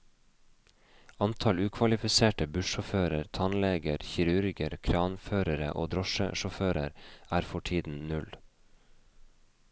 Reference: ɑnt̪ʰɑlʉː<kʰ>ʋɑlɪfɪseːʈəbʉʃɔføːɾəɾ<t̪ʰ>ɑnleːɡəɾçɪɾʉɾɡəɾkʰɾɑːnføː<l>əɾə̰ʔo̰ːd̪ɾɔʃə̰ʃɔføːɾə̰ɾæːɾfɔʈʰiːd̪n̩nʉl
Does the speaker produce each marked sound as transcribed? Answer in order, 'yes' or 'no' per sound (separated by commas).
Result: yes, yes, no